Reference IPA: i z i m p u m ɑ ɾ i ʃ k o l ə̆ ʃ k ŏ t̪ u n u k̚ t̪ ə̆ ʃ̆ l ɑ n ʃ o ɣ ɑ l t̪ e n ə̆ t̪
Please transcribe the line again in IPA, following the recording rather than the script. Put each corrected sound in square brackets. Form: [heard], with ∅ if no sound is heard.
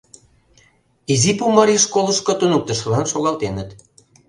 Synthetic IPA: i z i [∅] p u m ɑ ɾ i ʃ k o l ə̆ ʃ k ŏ t̪ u n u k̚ t̪ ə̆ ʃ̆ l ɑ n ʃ o ɣ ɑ l t̪ e n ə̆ t̪